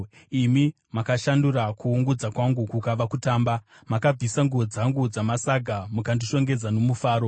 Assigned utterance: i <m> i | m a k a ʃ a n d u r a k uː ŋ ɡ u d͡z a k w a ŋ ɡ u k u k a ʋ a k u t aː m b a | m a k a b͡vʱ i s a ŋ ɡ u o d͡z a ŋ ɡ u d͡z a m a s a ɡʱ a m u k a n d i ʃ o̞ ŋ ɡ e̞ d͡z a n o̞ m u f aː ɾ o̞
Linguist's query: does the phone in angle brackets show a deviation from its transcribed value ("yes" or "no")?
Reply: no